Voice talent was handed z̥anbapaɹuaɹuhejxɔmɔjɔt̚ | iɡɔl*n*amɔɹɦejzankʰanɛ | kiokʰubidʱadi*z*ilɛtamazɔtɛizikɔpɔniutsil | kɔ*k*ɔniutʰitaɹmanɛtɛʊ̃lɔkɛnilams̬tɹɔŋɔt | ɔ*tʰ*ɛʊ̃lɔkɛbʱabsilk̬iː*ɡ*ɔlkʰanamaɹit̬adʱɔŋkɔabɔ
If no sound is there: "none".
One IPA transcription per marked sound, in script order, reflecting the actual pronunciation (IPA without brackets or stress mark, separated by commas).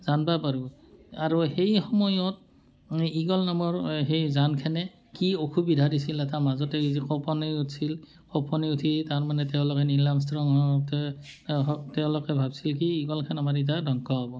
n, s, p, t, ɡ